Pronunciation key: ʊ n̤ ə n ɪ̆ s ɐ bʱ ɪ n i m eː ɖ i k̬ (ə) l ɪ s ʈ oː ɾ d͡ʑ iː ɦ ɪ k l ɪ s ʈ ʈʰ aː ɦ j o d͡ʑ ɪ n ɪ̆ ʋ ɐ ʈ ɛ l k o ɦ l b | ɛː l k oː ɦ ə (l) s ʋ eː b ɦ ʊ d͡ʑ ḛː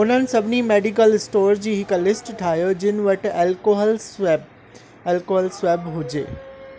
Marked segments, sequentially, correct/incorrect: correct, correct

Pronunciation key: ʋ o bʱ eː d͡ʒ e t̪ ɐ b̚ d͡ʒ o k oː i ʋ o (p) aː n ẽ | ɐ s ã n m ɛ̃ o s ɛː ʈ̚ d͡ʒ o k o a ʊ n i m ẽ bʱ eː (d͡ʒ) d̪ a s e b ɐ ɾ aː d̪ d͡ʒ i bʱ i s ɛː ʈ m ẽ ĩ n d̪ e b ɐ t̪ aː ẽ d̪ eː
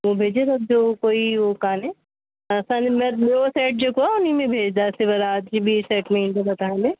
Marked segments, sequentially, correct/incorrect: incorrect: k, correct

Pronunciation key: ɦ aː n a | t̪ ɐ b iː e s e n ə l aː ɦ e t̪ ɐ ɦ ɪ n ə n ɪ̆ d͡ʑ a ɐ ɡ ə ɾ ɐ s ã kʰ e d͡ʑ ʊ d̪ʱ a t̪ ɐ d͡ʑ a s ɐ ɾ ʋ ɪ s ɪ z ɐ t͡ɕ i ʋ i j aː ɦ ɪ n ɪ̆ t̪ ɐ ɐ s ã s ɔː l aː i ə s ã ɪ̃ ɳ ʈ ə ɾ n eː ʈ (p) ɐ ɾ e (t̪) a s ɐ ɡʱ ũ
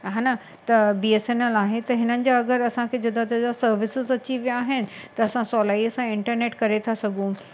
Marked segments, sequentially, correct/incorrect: incorrect: k, incorrect: t̪ʰ

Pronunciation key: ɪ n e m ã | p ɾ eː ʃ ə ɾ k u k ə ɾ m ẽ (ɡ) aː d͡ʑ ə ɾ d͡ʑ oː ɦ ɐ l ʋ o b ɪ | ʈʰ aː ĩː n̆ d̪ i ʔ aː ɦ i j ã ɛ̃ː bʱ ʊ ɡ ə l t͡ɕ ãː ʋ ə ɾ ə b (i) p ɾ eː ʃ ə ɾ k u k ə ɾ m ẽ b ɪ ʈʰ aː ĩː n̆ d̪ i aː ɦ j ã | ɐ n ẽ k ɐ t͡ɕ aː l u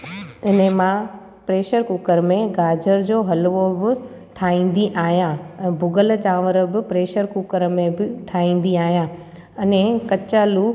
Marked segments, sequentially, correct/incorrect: correct, incorrect: ɪ

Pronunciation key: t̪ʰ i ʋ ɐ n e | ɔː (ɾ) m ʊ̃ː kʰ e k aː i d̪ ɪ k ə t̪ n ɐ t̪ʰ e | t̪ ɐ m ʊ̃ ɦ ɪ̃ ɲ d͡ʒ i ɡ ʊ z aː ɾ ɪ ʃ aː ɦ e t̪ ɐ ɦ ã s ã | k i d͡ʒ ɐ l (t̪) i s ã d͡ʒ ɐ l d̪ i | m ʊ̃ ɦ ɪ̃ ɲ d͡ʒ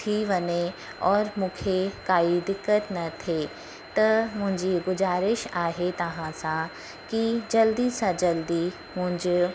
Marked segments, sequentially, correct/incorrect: correct, incorrect: d̪

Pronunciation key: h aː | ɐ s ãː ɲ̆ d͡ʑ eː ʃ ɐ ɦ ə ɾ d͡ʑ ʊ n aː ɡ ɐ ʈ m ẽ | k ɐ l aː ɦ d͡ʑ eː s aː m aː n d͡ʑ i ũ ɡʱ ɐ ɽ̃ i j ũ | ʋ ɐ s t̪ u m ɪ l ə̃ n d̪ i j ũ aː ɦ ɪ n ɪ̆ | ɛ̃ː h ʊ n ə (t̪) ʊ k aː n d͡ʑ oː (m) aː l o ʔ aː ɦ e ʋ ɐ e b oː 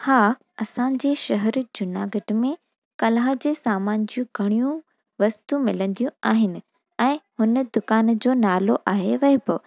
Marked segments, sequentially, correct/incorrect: incorrect: d̪, incorrect: n

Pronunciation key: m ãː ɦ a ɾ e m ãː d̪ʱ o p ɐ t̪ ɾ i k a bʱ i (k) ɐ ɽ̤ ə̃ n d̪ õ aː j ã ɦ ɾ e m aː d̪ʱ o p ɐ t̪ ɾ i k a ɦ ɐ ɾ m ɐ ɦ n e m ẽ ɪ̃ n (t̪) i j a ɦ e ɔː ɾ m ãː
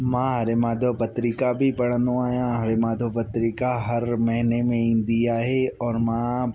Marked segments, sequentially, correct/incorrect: incorrect: p, incorrect: d̪

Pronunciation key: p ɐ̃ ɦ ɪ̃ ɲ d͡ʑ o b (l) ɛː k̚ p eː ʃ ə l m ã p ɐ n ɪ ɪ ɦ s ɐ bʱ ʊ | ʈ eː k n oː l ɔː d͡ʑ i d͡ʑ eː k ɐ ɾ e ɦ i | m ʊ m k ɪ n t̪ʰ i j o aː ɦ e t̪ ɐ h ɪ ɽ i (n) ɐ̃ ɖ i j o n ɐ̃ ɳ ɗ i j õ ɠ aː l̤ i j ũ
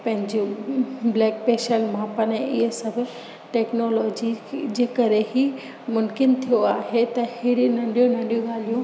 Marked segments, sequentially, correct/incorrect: correct, correct

